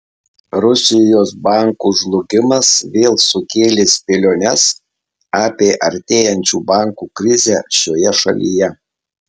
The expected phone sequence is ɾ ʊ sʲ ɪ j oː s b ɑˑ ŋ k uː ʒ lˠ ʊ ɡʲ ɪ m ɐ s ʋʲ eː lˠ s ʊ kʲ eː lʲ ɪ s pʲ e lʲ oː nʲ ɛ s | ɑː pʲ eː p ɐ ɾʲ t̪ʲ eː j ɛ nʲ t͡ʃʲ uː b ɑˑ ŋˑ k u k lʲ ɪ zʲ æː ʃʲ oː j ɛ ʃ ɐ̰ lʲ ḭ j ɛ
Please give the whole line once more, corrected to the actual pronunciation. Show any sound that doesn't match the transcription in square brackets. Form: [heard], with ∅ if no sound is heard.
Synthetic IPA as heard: ɾ ʊ sʲ ɪ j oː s b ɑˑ ŋ k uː ʒ lˠ ʊ ɡʲ ɪ m ɐ s ʋʲ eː lˠ s ʊ kʲ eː lʲ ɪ s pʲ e lʲ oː nʲ ɛ s | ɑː pʲ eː [ʔ] ɐ ɾʲ t̪ʲ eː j ɛ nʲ t͡ʃʲ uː b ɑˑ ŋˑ k u k [ɾʲ] ɪ zʲ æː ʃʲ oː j ɛ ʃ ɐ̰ lʲ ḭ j ɛ